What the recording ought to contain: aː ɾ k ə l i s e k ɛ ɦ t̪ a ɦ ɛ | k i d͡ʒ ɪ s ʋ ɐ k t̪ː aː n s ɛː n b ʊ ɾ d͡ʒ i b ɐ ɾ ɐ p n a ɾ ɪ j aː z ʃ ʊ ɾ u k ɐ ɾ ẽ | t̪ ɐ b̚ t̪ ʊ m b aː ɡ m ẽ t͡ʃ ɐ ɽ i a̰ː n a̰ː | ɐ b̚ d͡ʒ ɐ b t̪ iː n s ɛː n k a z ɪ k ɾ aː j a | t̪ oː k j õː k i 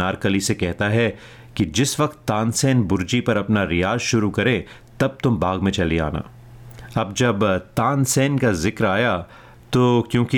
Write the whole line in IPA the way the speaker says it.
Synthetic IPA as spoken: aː ɾ k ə l i s e k ɛ ɦ t̪ a ɦ ɛ | k i d͡ʒ ɪ s ʋ ɐ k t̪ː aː n s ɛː n b ʊ ɾ d͡ʒ i p ɐ ɾ ɐ p n a ɾ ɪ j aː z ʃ ʊ ɾ u k ɐ ɾ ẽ | t̪ ɐ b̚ t̪ ʊ m b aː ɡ m ẽ t͡ʃ ɐ l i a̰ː n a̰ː | ɐ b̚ d͡ʒ ɐ b t̪ aː n s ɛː n k a z ɪ k ɾ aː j a | t̪ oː k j õː k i